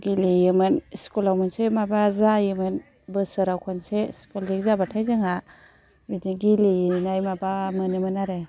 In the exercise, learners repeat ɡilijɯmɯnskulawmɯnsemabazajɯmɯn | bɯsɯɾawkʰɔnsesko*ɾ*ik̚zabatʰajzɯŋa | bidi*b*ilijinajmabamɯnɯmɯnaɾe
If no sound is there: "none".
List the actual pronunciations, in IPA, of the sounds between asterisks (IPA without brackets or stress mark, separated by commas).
l, ɡ